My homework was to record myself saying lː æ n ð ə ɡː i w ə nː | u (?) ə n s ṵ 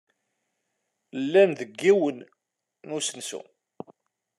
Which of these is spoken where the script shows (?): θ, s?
s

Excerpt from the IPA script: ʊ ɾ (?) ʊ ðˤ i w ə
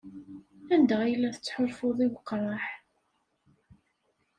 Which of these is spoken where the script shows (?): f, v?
f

